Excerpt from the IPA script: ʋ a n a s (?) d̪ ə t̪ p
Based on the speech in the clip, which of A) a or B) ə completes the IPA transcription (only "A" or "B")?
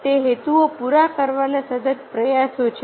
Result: B